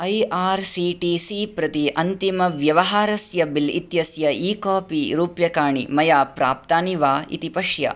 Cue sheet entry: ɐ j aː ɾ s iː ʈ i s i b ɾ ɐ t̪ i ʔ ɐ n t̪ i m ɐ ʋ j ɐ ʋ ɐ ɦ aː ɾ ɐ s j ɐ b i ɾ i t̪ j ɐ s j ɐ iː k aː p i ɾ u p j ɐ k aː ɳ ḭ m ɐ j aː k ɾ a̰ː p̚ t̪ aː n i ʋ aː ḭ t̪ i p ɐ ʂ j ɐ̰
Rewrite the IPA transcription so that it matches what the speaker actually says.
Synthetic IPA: ɐ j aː ɾ s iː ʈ i s i p ɾ ɐ t̪ i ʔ ɐ n t̪ i m ɐ ʋ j ɐ ʋ ɐ ɦ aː ɾ ɐ s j ɐ b i l i t̪ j ɐ s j ɐ iː k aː p i ɾ uː p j ɐ k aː ɳ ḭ m ɐ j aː p ɾ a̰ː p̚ t̪ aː n i ʋ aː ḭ t̪ i p ɐ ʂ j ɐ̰